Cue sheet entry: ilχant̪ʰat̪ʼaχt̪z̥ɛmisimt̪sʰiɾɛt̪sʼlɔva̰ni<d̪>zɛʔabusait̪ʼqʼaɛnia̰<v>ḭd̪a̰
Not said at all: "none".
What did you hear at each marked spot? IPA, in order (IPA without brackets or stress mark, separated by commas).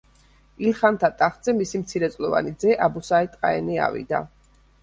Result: d̪, v